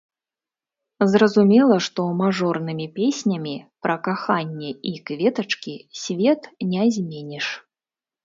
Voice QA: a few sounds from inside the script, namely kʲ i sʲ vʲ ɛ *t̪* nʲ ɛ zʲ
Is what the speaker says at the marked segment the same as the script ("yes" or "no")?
yes